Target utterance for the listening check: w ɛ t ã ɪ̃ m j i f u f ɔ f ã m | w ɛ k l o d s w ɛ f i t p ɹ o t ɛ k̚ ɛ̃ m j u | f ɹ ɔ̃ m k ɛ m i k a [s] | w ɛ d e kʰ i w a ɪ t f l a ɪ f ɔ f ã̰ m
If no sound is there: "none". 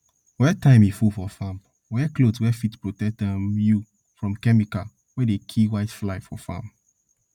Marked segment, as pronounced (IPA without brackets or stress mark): none